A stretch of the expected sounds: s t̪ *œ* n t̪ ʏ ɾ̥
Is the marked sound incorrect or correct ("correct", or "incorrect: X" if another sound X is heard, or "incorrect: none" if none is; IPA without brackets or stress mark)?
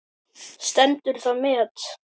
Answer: incorrect: ɛ